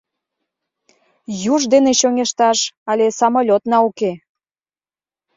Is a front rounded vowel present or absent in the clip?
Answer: absent